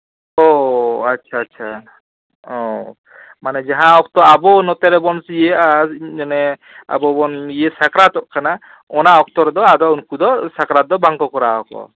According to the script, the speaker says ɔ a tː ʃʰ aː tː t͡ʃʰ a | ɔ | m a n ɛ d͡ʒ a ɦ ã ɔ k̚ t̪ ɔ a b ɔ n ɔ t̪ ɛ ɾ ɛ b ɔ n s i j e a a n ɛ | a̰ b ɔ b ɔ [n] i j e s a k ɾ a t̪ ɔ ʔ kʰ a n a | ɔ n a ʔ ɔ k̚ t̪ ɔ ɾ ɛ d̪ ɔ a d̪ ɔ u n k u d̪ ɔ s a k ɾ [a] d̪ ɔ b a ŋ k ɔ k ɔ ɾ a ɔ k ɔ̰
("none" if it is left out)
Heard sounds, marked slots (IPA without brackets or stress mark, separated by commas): n, a